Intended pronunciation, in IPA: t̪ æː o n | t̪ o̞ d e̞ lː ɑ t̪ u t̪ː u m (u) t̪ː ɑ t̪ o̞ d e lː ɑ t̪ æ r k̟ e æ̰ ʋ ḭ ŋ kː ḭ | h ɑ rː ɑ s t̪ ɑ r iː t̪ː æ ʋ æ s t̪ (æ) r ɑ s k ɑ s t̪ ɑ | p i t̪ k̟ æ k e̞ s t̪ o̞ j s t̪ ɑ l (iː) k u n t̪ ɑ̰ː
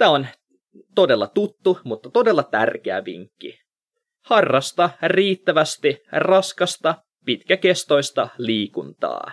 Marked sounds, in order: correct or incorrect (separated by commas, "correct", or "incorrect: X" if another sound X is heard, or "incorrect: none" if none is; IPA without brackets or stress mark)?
correct, incorrect: i, correct